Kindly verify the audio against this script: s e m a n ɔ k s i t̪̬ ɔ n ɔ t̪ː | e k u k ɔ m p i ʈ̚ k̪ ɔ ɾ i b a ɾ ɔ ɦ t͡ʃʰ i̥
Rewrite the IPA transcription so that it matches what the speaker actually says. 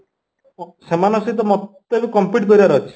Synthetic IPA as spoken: s e m a n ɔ s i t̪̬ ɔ m ɔ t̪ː | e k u k ɔ m p i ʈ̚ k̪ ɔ ɾ i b a ɾ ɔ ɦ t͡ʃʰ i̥